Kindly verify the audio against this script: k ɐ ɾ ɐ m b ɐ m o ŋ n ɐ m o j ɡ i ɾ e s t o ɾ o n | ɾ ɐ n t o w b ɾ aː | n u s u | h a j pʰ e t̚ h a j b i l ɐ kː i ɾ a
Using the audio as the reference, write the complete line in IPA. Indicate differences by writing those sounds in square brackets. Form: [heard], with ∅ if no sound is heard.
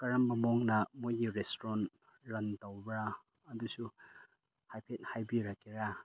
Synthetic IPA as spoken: k ɐ ɾ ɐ m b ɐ m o ŋ n ɐ m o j ɡ i ɾ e s t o ɾ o n | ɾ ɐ n t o w b ɾ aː | [d] u s u | h a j pʰ e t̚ h a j b i [ɾ] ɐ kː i ɾ a